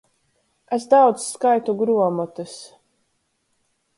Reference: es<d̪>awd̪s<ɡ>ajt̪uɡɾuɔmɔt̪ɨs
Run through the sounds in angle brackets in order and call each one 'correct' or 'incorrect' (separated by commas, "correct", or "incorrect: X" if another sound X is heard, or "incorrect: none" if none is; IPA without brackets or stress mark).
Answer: correct, incorrect: k